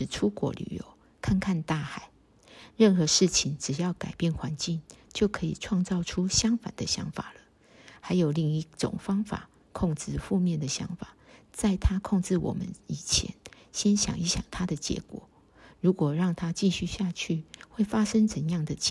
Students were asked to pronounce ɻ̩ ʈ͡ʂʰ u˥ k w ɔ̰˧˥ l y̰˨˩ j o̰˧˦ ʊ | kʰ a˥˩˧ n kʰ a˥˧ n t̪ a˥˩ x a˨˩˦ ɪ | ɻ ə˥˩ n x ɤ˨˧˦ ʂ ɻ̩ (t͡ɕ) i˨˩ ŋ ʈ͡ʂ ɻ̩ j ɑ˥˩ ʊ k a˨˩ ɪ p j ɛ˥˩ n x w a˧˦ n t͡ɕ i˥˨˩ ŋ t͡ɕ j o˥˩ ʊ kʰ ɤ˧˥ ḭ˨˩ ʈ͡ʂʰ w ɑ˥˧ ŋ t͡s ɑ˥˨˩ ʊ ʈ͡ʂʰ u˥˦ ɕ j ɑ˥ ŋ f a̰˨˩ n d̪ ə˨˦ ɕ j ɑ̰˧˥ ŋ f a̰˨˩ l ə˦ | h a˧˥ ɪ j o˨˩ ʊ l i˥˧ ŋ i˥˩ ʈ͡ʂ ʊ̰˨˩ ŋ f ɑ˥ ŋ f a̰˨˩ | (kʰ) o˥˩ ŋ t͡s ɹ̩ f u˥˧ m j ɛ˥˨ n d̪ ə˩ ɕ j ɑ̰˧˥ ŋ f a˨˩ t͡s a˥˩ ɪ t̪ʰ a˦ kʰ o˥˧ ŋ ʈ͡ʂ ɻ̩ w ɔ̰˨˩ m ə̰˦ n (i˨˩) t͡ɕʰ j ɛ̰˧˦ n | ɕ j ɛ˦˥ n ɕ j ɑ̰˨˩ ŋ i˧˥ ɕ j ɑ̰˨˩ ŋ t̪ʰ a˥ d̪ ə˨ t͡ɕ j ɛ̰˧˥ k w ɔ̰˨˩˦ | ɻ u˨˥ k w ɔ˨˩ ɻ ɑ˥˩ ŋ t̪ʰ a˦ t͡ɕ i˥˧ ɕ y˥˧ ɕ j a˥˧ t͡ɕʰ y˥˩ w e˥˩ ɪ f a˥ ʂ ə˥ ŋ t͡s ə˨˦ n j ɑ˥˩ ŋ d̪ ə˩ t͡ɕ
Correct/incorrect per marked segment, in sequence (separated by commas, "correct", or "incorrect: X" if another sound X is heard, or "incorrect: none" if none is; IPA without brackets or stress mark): incorrect: t͡ɕʰ, correct, correct